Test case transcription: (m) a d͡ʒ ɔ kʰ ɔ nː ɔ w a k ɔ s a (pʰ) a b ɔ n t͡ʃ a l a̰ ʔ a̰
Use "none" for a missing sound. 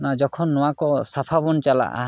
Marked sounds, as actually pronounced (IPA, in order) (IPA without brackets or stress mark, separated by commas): n, pʰ